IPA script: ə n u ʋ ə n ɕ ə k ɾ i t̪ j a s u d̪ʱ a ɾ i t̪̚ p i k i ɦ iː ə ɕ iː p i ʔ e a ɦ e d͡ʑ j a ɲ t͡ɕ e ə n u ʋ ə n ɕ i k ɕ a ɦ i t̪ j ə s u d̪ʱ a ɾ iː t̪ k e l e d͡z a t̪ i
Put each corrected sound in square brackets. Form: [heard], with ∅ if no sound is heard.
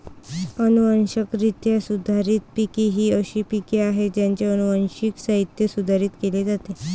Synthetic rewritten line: ə n u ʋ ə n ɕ ə k ɾ i t̪ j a s u d̪ʱ a ɾ i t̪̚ p i k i ɦ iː ə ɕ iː p i [k] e a ɦ e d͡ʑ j a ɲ t͡ɕ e ə n u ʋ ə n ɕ i k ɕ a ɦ i t̪ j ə s u d̪ʱ a ɾ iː t̪ k e l e d͡z a t̪ [e]

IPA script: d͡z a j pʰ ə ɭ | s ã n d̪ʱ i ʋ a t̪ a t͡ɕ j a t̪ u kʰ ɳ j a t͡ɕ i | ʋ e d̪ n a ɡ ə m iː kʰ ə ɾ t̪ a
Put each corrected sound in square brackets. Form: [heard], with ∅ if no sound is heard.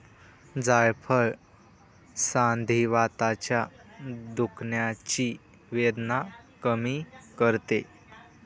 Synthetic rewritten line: d͡z a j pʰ ə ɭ | s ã n d̪ʱ i ʋ a t̪ a t͡ɕ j a [d̪] u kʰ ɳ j a t͡ɕ i | ʋ e d̪ n a [k] ə m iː [k] ə ɾ t̪ [e]

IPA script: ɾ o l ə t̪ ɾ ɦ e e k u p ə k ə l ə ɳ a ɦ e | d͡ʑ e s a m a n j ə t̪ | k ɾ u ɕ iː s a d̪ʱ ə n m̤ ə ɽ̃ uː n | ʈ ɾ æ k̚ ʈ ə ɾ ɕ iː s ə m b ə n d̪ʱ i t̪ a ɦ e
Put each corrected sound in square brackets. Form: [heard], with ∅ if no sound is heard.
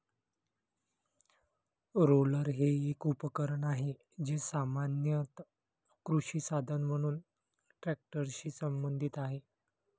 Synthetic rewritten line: ɾ o l ə [∅] ɾ ɦ e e k u p ə k ə [ɾ] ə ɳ a ɦ e | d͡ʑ e s a m a n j ə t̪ | k ɾ u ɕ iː s a d̪ʱ ə n m̤ ə ɽ̃ uː n | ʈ ɾ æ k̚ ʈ ə ɾ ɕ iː s ə m b ə n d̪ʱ i t̪ a ɦ e

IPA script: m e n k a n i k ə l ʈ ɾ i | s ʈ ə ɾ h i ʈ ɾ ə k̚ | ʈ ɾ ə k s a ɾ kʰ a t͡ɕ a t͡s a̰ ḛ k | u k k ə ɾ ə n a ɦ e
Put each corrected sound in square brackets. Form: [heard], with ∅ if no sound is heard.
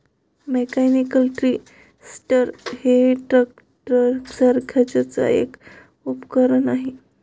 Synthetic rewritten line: m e [∅] k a n i k ə l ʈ ɾ i | s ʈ ə ɾ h [e] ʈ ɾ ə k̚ | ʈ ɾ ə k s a ɾ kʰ a t͡ɕ a t͡s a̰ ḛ k | u [p] k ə ɾ ə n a ɦ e

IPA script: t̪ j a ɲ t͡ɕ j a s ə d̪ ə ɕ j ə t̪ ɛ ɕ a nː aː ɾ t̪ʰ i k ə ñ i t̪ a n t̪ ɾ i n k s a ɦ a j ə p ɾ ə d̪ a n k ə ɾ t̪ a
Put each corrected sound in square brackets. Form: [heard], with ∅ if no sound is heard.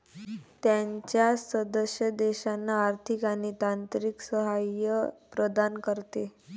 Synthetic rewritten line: t̪ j a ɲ t͡ɕ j a s ə d̪ ə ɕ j ə [d̪] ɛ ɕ a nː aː ɾ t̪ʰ i k [a] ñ i t̪ a n t̪ ɾ i [∅] k s [ə] ɦ a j ə p ɾ ə d̪ a n k ə ɾ t̪ [e]

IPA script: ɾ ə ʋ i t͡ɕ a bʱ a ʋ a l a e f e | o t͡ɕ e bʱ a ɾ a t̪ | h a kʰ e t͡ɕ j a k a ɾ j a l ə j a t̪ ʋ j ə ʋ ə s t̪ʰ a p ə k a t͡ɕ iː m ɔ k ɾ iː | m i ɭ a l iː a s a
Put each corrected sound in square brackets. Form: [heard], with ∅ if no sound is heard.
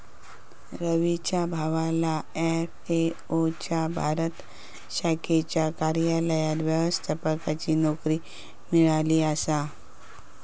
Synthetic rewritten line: ɾ ə ʋ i t͡ɕ a bʱ a ʋ a l a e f e | o t͡ɕ [a] bʱ a ɾ [ə] t̪ | [ɕ] a kʰ e t͡ɕ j a k a ɾ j a l ə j a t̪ ʋ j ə ʋ ə s t̪ʰ a p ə k a t͡ɕ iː [n] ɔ k ɾ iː | m i ɭ a l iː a s a

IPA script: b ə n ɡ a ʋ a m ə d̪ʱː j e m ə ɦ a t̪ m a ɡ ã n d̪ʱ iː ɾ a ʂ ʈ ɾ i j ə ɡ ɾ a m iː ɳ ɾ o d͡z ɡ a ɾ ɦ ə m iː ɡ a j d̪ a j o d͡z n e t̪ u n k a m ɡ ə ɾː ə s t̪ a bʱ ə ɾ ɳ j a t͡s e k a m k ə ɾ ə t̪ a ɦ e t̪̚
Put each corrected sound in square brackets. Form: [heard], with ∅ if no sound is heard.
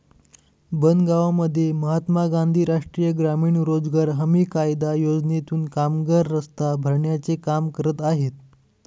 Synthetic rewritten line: b ə n ɡ a ʋ a m ə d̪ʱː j e m ə ɦ a t̪ m a ɡ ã n d̪ʱ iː ɾ a ʂ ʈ ɾ i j ə ɡ ɾ a m iː ɳ ɾ o d͡z ɡ a ɾ ɦ ə m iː [k] a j d̪ a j o d͡z n e t̪ [uː] n k a m ɡ ə ɾː ə s t̪ a bʱ ə ɾ ɳ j a t͡s e k a m k ə ɾ ə t̪ a ɦ e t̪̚

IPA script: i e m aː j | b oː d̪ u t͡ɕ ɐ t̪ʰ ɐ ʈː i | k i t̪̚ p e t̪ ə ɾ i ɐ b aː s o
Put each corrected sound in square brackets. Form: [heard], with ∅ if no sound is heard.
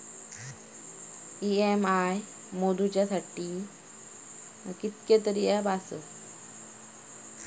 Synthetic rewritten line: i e m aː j | [m] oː d̪ u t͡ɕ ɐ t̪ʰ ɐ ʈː i | k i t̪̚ [k] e t̪ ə ɾ i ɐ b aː s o

